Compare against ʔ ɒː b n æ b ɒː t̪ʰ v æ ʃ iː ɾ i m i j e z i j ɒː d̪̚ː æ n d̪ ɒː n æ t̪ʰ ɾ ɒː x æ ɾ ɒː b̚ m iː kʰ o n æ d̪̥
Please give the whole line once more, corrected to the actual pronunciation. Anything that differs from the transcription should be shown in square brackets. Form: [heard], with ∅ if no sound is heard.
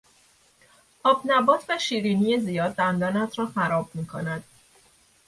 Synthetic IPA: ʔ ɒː b n æ b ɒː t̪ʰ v æ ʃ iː ɾ i [n] i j e z i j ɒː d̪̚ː æ n d̪ ɒː n æ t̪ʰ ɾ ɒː x æ ɾ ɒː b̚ m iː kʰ o n æ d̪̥